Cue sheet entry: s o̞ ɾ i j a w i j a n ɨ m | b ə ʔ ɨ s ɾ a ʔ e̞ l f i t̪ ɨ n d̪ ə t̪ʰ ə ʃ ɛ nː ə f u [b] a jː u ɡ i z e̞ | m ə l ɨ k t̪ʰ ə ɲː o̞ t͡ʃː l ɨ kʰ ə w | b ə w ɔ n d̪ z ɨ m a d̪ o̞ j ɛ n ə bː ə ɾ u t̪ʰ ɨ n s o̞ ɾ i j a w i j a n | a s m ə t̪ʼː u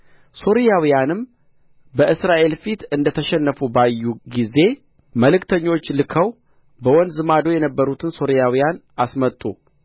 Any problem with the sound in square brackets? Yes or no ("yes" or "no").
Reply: no